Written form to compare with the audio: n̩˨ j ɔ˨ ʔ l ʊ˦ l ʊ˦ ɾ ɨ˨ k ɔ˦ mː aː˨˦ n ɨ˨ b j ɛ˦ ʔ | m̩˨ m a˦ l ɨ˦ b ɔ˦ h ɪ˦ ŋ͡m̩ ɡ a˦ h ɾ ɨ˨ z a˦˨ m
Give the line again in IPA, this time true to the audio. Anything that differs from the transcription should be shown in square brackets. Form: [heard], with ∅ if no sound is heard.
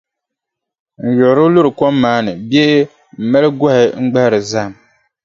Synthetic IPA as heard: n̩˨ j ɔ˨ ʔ [ɾ] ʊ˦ l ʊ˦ ɾ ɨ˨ k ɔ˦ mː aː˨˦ n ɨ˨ b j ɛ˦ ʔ | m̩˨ m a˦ l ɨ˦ [ɡ] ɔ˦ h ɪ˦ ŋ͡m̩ [ɡ͡b] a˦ h ɾ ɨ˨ z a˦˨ m